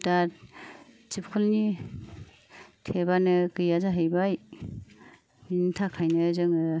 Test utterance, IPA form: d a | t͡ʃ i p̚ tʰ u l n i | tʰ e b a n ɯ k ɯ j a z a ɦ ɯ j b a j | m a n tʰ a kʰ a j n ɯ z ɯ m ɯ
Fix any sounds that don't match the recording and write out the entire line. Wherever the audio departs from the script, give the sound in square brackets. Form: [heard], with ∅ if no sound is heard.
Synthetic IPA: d a | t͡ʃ i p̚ [kʰ] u l n i | tʰ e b a n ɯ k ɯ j a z a ɦ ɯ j b a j | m [i] n tʰ a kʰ a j n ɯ z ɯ [ŋ] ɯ